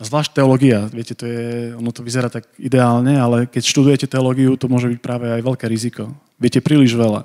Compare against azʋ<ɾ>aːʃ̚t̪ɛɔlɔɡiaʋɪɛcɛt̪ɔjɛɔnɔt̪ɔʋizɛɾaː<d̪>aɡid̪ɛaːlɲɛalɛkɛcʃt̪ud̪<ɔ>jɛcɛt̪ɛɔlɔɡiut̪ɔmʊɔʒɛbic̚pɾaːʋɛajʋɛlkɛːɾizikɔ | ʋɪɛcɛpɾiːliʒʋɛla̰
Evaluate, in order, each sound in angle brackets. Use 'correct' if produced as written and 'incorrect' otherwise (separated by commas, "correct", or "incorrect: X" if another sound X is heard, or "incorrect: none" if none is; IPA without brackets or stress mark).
incorrect: l, incorrect: t̪, incorrect: u